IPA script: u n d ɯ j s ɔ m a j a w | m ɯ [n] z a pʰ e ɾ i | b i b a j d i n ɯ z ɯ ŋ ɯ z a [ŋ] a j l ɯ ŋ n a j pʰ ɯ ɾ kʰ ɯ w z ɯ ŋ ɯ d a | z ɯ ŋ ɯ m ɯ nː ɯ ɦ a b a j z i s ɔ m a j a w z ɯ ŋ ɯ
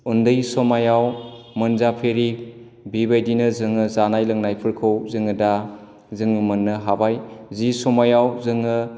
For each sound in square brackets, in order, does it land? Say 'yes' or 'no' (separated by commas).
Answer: yes, no